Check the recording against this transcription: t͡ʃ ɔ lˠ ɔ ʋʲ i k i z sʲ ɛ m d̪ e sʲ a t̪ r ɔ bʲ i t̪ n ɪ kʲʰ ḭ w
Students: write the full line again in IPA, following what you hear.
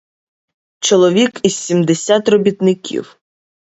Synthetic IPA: t͡ʃ ɔ lˠ ɔ ʋʲ i k i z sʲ i m d̪ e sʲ a t̪ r ɔ bʲ i t̪ n ɪ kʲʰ ḭ w